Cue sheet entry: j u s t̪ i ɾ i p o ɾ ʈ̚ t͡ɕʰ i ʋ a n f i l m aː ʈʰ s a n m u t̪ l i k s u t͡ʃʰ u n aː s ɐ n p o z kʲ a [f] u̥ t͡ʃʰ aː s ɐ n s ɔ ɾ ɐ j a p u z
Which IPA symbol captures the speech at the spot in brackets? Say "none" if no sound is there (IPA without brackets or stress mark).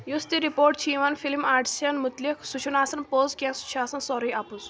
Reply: s